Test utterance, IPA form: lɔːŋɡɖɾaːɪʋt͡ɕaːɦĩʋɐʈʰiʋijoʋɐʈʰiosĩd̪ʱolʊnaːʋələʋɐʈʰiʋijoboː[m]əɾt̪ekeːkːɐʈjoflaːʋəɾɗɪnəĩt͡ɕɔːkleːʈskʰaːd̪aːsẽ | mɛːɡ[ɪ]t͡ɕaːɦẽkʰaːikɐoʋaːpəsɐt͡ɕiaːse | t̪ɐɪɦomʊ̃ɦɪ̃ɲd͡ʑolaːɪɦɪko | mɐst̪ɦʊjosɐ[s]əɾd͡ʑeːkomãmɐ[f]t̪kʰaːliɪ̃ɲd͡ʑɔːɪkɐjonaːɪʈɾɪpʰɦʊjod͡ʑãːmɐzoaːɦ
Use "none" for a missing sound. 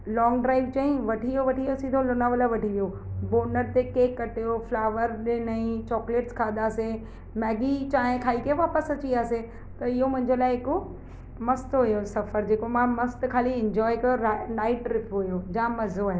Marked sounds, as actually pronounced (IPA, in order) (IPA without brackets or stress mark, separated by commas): n, i, f, s